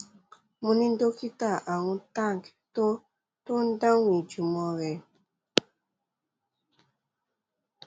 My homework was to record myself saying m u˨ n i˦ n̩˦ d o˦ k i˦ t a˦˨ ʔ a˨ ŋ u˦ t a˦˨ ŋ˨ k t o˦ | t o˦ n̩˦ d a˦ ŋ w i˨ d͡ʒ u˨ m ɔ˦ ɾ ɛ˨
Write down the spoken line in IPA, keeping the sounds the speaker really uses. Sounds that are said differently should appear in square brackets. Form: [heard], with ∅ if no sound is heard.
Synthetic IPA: m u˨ n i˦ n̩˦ d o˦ k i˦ t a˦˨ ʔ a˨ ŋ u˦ t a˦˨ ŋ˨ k t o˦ | t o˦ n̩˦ d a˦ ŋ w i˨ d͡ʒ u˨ m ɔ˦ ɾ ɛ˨

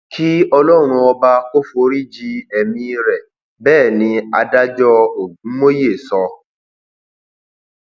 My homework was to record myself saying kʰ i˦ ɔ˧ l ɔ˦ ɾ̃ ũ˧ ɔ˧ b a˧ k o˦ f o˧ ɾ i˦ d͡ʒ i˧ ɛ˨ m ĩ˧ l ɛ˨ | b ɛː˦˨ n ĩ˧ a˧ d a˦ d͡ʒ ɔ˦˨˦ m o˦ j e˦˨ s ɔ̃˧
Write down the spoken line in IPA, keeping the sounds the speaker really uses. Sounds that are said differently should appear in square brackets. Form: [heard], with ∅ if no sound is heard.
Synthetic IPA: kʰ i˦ ɔ˧ l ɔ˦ ɾ̃ ũ˧ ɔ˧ b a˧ k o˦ f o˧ ɾ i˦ d͡ʒ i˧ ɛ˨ m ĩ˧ [ɾ] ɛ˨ | b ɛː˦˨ n ĩ˧ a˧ d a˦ d͡ʒ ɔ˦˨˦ m o˦ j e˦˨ s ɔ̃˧

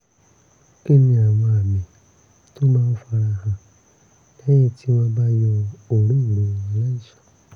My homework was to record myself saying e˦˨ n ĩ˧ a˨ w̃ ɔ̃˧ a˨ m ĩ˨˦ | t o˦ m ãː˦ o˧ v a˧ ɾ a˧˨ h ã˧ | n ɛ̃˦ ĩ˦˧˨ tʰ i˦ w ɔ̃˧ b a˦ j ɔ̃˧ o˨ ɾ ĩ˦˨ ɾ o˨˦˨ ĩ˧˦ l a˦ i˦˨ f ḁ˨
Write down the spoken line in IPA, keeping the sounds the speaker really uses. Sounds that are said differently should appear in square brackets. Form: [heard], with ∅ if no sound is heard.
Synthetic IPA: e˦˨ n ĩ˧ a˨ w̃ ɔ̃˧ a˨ m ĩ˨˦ | t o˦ m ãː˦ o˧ [f] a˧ ɾ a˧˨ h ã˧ | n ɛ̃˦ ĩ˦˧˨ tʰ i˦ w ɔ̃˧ b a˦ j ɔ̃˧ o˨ ɾ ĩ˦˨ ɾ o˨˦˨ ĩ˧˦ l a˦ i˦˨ [ʃ] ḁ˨

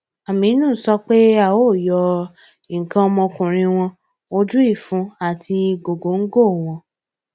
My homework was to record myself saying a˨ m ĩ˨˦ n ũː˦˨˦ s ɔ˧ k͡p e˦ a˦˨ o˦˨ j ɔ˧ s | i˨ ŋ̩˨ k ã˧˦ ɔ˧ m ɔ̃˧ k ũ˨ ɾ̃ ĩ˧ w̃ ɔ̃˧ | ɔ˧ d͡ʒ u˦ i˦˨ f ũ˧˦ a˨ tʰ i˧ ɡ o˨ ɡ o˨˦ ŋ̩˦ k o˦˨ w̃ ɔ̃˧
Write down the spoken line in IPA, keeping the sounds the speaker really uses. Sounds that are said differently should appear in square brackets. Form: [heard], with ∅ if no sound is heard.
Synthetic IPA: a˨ m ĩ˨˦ n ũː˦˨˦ s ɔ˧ k͡p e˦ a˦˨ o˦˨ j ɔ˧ [∅] | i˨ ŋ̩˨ k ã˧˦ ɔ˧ m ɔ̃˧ k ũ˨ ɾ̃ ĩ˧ w̃ ɔ̃˧ | [o˧] d͡ʒ u˦ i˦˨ f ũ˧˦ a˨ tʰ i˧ ɡ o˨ ɡ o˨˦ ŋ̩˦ [ɡ] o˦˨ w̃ ɔ̃˧

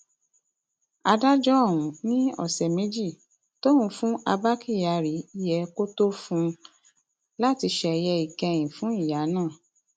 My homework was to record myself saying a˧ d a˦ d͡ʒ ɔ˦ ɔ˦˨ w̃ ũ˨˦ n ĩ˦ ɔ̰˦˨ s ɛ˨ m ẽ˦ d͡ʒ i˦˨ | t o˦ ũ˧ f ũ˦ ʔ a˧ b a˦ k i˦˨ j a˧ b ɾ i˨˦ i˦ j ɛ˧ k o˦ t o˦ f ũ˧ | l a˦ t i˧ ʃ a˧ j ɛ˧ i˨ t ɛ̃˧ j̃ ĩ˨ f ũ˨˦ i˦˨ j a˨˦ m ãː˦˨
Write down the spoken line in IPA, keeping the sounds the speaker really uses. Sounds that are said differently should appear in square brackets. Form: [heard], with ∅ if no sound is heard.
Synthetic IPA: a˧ d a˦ d͡ʒ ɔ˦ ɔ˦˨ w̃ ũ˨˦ n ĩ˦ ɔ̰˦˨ s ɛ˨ m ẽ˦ d͡ʒ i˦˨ | t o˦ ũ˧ f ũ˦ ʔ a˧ b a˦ k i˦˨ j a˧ [∅] ɾ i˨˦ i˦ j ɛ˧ k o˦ t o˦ f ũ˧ | l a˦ t i˧ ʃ [ɛ˧] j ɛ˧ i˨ [k] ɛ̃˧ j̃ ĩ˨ f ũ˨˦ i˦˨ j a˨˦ [n] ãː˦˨

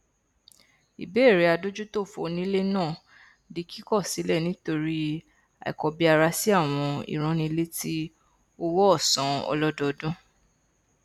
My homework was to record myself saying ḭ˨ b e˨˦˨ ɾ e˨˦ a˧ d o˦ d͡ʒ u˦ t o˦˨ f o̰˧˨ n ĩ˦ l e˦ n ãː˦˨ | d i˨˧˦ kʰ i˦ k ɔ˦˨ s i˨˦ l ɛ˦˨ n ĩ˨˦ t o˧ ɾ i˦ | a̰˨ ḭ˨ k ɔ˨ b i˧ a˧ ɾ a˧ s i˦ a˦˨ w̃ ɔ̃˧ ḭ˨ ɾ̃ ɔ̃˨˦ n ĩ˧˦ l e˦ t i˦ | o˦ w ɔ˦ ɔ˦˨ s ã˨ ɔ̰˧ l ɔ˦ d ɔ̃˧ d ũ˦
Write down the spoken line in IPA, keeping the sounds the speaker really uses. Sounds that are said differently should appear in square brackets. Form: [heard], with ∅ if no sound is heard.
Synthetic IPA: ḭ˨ b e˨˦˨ ɾ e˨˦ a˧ d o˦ d͡ʒ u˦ t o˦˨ f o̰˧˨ n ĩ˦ l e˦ n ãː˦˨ | d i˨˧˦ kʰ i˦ k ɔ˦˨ s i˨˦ l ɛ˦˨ n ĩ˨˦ t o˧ ɾ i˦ | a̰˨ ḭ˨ k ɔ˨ b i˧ a˧ ɾ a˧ s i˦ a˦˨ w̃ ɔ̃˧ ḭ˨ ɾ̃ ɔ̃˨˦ n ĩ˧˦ l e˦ t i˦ | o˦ w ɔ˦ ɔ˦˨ s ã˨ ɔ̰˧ l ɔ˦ d [ɔ˧] d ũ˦

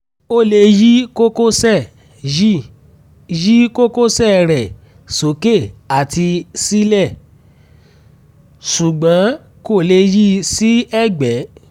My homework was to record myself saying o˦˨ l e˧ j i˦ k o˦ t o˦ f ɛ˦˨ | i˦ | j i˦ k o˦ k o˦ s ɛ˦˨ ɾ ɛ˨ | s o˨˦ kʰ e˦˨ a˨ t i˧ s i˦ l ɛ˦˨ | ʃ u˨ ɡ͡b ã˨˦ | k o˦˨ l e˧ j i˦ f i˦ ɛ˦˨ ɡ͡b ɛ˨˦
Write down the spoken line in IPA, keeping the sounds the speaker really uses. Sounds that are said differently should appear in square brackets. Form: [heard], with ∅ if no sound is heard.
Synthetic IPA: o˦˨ l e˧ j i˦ k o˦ [k] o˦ [s] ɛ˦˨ | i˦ | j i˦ k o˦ k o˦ s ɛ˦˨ ɾ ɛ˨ | s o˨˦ [k] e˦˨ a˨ t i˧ s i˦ l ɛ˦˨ | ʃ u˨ ɡ͡b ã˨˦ | k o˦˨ l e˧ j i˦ [s] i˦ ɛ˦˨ ɡ͡b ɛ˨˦

